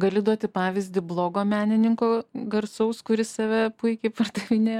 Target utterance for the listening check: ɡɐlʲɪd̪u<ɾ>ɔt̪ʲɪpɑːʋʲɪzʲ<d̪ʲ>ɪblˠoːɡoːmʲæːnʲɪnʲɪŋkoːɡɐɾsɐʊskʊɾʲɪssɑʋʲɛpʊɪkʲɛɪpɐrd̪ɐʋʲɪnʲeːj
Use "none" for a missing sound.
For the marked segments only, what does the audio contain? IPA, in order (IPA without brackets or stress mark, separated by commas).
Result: none, d̪ʲ